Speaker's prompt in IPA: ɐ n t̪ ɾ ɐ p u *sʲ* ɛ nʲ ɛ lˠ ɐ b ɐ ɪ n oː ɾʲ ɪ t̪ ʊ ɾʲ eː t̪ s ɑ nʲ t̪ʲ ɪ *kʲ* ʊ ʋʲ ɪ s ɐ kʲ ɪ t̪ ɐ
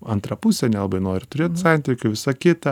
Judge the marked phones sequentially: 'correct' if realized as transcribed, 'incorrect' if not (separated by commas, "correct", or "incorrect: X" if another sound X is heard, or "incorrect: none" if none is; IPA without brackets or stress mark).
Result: correct, correct